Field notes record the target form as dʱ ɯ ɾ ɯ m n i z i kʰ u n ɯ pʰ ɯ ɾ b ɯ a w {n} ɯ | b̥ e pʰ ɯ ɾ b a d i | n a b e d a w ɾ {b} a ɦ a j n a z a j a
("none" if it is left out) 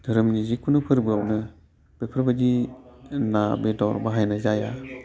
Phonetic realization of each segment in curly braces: n, b

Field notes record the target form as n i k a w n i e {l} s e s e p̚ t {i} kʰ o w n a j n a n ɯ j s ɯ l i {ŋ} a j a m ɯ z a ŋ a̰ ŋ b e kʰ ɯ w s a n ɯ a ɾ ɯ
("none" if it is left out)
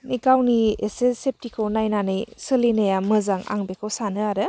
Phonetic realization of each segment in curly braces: none, i, n

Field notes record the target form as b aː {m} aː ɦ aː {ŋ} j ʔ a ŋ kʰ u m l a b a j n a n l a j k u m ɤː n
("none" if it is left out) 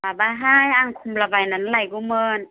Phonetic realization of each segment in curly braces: b, none

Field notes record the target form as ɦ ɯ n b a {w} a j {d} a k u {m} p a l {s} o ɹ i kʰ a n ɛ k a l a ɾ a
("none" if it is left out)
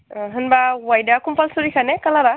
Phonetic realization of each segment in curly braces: w, d, m, s

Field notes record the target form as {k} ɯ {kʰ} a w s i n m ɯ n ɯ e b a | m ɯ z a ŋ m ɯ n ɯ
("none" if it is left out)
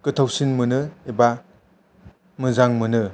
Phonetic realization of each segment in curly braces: k, tʰ

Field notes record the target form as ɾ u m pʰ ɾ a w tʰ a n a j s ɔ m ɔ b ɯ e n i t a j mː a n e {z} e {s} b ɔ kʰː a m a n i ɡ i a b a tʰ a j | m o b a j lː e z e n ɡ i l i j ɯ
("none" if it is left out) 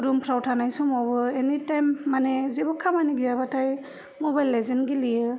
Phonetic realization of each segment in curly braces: z, none

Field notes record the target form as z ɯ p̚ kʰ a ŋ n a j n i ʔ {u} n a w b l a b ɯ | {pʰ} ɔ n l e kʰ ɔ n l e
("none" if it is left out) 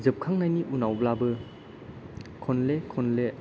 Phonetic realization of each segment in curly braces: u, kʰ

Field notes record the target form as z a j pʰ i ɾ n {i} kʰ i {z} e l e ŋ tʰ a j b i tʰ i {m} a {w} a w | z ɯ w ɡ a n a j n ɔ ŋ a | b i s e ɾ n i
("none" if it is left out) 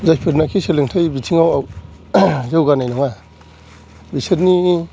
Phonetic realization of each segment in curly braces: a, s, ŋ, w

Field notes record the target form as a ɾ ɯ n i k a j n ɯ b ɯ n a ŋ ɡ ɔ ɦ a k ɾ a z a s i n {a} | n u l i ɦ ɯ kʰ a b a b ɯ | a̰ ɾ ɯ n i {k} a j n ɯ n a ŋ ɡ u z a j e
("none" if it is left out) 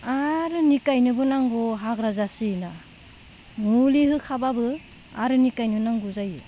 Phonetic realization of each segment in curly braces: a, k

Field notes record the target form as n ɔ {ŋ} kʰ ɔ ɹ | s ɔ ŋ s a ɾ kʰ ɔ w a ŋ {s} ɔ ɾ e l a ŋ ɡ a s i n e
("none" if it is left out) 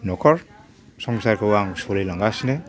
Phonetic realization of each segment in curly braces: none, s

